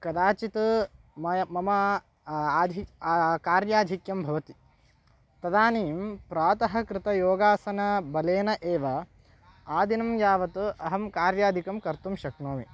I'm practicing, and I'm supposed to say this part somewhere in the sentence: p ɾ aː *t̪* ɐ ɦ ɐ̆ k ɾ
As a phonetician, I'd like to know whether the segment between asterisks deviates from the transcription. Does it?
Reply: no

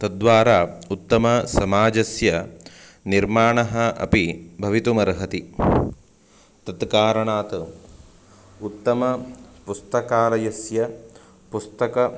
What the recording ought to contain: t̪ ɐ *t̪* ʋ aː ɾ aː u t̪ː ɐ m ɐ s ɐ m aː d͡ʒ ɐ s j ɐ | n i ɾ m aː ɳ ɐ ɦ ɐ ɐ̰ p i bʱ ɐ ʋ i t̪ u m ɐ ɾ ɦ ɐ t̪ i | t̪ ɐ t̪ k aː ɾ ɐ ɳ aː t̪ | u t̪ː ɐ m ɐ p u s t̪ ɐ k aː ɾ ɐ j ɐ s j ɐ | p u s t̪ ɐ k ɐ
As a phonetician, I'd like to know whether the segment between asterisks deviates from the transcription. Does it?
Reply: yes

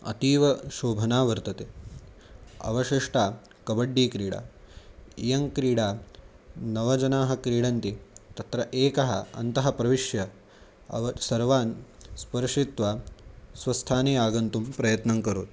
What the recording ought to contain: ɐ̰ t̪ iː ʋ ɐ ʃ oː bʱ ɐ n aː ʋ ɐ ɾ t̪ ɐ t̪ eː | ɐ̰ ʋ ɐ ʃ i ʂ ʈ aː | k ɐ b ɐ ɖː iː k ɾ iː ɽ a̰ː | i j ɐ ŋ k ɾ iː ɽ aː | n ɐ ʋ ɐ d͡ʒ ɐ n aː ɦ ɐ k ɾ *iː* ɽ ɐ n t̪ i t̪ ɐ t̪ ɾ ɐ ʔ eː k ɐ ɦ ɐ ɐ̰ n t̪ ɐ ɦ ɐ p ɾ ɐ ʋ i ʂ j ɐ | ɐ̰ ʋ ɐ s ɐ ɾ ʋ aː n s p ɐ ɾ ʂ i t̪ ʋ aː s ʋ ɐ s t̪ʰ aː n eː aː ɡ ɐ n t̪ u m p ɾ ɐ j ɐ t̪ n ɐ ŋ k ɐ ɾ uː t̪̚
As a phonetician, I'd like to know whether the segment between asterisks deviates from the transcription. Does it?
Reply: no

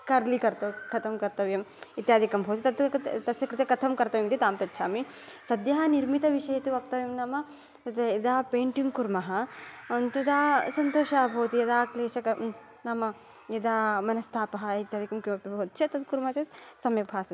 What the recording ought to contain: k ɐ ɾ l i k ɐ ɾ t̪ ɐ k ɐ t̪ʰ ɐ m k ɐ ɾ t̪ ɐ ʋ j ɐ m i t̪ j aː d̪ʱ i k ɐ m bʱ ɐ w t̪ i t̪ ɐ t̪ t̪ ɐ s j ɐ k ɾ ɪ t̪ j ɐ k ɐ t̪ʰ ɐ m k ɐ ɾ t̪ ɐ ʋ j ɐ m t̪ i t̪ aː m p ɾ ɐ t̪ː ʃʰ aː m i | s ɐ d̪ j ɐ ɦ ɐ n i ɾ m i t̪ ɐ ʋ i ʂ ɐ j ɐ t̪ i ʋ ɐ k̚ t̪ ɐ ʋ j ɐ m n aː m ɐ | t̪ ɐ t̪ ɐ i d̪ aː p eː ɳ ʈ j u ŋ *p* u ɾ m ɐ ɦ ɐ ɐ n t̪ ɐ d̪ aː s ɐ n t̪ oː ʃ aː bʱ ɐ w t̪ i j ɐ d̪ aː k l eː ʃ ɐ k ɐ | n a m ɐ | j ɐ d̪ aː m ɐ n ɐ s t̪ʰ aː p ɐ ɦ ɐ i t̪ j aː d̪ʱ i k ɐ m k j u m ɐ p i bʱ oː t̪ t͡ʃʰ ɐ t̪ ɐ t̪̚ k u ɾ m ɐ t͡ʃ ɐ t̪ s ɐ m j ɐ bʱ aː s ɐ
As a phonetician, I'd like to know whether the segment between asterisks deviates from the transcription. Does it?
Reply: yes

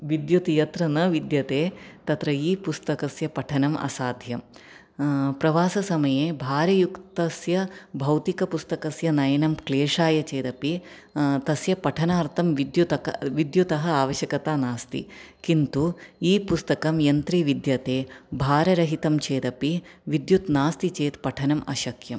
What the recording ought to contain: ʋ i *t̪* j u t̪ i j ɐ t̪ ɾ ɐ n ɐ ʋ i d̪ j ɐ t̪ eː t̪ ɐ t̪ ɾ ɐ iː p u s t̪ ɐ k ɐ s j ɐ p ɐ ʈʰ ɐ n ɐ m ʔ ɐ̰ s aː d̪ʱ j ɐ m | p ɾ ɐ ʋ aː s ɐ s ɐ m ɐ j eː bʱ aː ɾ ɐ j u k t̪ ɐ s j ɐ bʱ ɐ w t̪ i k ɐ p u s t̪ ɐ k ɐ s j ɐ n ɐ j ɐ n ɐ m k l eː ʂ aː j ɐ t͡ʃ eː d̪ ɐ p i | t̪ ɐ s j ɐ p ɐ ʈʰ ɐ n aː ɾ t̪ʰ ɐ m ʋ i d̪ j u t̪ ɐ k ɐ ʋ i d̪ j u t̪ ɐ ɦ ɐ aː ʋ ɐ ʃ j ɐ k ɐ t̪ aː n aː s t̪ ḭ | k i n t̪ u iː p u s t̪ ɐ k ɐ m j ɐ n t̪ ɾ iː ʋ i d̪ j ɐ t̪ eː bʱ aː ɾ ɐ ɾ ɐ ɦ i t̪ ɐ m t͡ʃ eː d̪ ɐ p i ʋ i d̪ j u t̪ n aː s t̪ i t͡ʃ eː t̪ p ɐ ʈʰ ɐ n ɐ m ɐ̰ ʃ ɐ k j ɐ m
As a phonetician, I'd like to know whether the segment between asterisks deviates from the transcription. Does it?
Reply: yes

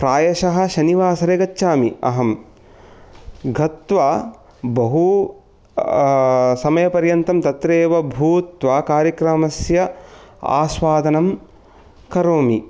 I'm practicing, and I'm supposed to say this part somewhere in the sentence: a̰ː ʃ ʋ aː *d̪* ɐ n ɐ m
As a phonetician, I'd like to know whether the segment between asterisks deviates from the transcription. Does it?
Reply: no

